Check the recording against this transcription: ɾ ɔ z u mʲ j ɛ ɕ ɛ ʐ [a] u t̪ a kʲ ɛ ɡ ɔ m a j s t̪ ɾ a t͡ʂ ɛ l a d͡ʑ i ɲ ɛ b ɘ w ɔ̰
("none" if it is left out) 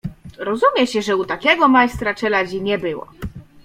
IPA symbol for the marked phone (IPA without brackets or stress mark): ɛ